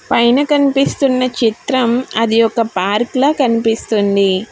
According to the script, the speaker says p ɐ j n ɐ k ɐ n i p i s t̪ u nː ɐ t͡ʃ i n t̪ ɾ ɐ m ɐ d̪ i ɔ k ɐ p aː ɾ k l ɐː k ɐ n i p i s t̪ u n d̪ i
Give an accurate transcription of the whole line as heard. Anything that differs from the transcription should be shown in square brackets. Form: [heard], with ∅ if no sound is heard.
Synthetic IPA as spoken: p ɐ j n ɐ k ɐ n i p i s t̪ u nː ɐ t͡ʃ i [∅] t̪ ɾ ɐ m ɐ d̪ i ɔ k ɐ p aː ɾ k l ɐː k ɐ n i p i s t̪ u n d̪ i